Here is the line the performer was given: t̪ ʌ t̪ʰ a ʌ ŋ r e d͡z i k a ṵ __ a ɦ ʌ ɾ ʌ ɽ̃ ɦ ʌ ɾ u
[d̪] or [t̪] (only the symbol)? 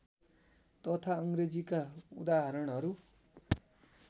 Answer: d̪